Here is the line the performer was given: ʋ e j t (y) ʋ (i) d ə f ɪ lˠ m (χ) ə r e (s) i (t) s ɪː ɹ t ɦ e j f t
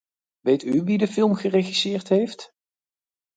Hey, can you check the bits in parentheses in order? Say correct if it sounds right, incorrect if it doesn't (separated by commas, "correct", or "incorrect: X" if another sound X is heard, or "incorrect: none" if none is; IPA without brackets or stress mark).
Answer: correct, correct, correct, incorrect: χ, incorrect: none